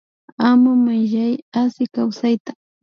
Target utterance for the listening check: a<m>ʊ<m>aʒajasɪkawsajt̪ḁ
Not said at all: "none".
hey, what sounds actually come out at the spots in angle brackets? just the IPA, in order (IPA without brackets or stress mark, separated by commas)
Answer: m, m